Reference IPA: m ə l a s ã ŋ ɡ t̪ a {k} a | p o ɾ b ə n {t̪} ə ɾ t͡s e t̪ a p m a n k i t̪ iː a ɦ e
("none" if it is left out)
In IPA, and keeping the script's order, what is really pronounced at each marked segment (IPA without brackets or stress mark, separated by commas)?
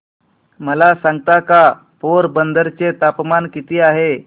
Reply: k, d̪